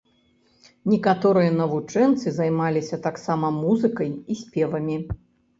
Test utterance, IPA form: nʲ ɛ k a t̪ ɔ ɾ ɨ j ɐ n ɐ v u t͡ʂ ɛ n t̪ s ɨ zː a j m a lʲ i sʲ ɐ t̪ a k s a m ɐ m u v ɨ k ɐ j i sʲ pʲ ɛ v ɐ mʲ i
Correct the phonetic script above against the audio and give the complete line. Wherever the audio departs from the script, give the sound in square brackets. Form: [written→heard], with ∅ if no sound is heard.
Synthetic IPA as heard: nʲ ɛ k a t̪ ɔ ɾ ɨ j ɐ n ɐ v u t͡ʂ ɛ n t̪ s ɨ [zː→z] a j m a lʲ i sʲ ɐ t̪ a k s a m ɐ m u [v→z] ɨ k ɐ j i sʲ pʲ ɛ v ɐ mʲ i